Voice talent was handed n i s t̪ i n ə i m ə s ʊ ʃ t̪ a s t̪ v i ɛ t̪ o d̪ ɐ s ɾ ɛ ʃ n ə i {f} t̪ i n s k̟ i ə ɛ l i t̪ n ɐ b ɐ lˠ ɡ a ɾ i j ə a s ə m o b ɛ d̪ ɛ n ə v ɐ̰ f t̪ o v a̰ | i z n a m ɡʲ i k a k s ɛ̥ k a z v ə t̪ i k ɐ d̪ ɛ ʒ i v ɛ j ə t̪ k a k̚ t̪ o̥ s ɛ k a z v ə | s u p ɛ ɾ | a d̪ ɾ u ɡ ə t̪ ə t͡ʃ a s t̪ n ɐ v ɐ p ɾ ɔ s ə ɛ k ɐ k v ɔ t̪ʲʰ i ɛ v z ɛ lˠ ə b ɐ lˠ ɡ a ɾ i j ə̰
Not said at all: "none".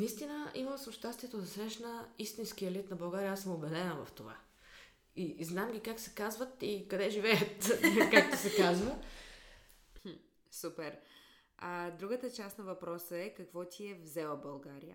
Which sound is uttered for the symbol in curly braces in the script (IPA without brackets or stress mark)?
s